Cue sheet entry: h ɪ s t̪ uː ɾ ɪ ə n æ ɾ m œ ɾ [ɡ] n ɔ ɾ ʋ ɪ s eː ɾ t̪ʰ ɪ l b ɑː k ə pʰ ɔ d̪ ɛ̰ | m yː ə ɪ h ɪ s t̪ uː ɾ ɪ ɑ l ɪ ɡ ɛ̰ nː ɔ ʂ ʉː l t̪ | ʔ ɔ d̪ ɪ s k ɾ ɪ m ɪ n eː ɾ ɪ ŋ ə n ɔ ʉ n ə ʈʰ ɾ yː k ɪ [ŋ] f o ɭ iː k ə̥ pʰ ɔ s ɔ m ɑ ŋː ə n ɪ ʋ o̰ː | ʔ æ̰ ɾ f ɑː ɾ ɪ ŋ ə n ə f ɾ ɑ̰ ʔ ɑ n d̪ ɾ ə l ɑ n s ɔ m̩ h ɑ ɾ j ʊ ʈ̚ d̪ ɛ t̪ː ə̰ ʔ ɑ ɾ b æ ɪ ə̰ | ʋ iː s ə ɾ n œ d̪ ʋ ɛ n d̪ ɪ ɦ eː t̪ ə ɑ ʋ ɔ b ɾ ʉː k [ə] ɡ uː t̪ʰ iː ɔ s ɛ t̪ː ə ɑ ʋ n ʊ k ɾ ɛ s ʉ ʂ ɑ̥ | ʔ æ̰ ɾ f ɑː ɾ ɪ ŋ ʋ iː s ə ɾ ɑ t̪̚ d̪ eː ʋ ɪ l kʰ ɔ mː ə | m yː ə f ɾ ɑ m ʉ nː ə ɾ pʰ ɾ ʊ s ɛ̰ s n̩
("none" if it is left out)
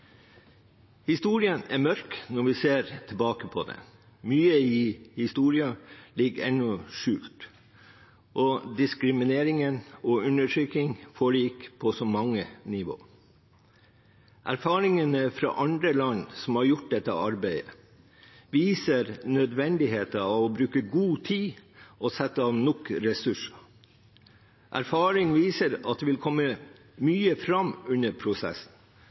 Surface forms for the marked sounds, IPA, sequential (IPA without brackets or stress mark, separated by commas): k, ŋ, ə